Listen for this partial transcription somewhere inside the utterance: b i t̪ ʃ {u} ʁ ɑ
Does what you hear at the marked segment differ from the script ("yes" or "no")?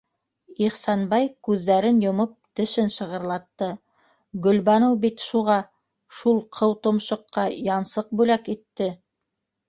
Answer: no